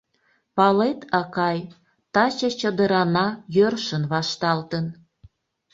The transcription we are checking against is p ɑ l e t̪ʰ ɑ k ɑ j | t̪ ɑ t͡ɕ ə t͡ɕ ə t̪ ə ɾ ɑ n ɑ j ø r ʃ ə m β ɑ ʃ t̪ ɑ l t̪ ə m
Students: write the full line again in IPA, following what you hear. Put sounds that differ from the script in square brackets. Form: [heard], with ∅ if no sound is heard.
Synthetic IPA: p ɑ l e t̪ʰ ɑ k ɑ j | t̪ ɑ t͡ɕ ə t͡ɕ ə [d̪] ə ɾ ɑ n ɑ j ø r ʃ ə [n] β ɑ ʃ t̪ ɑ l t̪ ə [n]